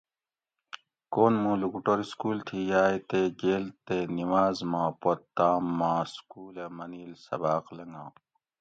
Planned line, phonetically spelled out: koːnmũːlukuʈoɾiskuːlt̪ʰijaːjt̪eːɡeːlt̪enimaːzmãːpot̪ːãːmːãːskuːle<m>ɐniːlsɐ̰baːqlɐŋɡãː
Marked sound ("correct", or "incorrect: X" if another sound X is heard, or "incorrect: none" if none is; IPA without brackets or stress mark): correct